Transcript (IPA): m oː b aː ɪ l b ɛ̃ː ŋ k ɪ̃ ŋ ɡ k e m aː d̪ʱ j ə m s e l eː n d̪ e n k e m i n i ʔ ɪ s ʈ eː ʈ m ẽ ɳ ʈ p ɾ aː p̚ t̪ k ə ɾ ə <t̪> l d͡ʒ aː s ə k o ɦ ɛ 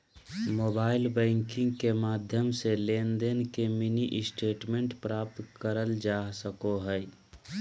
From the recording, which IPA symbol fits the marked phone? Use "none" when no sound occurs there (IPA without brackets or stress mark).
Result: none